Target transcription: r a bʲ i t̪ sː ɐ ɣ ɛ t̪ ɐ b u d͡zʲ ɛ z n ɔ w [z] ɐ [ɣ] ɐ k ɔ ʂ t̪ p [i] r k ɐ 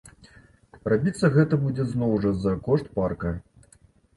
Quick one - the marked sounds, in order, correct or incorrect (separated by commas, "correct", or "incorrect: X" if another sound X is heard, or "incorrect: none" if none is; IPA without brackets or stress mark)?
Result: incorrect: ʐ, incorrect: z, incorrect: a